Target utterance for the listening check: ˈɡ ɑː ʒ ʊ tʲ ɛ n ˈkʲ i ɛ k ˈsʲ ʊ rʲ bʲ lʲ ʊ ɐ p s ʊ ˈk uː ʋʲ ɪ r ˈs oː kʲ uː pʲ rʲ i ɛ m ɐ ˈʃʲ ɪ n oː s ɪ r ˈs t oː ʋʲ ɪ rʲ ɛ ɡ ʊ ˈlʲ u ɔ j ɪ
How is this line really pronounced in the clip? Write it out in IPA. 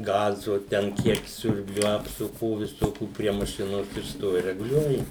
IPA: ˈɡ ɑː z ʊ tʲ ɛ n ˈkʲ i ɛ k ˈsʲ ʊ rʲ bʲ lʲ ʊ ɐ p s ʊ ˈk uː ʋʲ ɪ ˈs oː kʲ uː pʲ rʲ i ɛ m ɐ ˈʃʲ ɪ n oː s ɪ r ˈs t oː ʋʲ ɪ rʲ ɛ ɡ ʊ ˈlʲ u ɔ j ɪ